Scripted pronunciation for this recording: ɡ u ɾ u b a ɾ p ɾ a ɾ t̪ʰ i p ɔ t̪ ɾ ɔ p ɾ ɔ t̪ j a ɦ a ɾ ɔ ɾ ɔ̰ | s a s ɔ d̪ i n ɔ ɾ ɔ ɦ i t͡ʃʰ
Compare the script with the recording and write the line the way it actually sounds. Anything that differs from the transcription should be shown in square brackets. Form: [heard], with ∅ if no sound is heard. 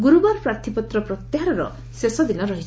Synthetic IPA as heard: ɡ u ɾ u b a ɾ p ɾ a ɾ t̪ʰ i p ɔ t̪ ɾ ɔ p ɾ ɔ t̪ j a ɦ a ɾ ɔ ɾ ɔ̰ | s [e] s ɔ d̪ i n ɔ ɾ ɔ ɦ i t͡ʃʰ

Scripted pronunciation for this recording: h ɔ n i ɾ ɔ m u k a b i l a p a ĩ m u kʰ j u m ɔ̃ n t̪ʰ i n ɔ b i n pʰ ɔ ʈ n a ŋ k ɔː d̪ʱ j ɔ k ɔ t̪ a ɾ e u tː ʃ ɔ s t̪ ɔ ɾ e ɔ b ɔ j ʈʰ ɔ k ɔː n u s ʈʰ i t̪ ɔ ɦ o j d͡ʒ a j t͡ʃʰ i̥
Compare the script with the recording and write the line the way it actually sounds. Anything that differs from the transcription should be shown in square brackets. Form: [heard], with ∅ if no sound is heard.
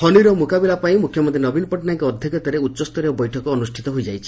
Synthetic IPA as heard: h ɔ n i ɾ ɔ m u k a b i l a p a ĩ m u kʰ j [ɔ] m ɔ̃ n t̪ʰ i n ɔ b i n [p] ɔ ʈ n a ŋ k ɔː d̪ʱ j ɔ k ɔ t̪ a ɾ e u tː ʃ ɔ s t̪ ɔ ɾ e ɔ b ɔ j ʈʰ ɔ k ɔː n u s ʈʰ i t̪ ɔ ɦ o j d͡ʒ a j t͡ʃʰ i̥

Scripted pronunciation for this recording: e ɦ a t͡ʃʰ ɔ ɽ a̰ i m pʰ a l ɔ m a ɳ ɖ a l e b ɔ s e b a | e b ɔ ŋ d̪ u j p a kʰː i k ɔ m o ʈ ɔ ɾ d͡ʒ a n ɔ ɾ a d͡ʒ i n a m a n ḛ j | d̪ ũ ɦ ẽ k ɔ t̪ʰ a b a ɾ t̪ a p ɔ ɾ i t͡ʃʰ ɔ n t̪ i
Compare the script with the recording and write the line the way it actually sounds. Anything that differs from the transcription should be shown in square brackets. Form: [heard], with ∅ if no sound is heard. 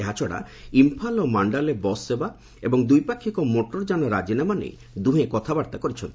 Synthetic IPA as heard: e ɦ a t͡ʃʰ ɔ ɽ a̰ i m pʰ a l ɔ m a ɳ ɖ a l e b ɔ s e b a | e b ɔ ŋ d̪ u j p a kʰː i k ɔ m o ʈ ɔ ɾ d͡ʒ a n ɔ ɾ a d͡ʒ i n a m a n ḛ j | d̪ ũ ɦ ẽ k ɔ t̪ʰ a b a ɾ t̪ a [k] ɔ ɾ i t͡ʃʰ ɔ n t̪ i

